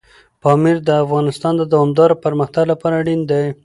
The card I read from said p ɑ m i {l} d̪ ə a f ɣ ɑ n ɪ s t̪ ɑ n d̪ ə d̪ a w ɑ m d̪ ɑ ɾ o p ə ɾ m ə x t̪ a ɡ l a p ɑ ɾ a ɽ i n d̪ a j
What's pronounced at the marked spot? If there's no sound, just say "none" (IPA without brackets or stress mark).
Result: ɾ